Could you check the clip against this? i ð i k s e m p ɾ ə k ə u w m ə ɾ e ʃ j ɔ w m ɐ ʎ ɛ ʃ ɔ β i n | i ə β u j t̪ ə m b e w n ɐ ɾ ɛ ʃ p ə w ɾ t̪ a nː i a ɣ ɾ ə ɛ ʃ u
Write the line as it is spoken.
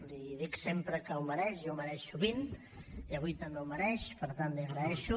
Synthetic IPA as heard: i ð i k s e m p ɾ ə k ə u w m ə ɾ ɛ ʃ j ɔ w m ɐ ɾ ɛ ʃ u β i n | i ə β u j t̪ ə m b e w m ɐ ɾ ɛ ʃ p ə ɾ t̪ a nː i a ɣ ɾ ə ɛ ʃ u